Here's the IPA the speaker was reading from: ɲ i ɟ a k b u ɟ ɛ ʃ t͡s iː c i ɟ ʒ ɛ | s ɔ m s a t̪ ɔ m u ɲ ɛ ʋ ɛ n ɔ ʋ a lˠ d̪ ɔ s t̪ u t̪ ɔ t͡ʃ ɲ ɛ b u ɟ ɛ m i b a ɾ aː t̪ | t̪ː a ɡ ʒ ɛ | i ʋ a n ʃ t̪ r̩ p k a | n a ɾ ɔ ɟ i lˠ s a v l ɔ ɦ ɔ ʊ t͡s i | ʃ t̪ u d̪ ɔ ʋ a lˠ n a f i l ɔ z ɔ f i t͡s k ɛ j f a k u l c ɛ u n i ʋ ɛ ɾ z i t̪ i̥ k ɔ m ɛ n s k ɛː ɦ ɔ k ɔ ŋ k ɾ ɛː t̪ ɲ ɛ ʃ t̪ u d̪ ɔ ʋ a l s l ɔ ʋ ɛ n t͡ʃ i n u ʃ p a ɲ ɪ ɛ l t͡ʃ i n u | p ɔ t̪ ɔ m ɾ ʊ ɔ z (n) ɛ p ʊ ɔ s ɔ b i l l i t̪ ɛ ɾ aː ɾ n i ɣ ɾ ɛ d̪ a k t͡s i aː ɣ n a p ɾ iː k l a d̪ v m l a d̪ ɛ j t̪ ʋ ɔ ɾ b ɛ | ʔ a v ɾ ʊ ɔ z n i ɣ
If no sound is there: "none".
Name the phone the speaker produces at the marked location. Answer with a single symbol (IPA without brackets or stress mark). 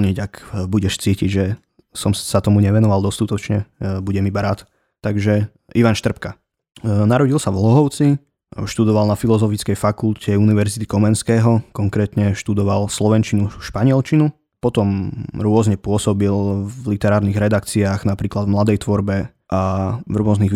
ɲ